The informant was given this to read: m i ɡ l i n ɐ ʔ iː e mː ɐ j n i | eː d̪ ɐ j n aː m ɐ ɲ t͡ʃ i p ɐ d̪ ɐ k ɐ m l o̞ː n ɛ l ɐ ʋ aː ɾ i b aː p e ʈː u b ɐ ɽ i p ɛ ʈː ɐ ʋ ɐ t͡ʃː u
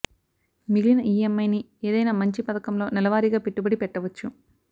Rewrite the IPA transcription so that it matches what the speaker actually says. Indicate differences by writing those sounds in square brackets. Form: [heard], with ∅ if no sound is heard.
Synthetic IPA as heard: m i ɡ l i n ɐ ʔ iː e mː ɐ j n i | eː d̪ ɐ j n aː m ɐ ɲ t͡ʃ i p ɐ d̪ ɐ k ɐ m l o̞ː n ɛ l ɐ ʋ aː ɾ i [ɡ] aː p e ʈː u b ɐ ɽ i p ɛ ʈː ɐ ʋ ɐ t͡ʃː u